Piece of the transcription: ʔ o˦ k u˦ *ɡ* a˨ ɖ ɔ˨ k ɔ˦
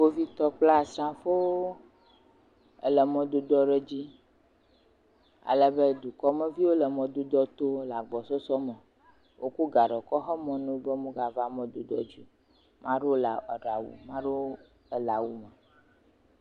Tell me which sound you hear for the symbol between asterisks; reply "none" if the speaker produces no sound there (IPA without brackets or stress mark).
ɡ